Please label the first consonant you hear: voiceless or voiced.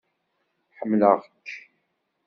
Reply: voiceless